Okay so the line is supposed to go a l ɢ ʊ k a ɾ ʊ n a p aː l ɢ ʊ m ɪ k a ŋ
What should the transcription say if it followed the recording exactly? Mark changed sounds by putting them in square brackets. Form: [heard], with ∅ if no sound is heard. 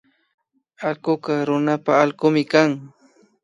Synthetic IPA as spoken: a l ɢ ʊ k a ɾ ʊ n a p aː l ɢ ʊ m ɪ k a ŋ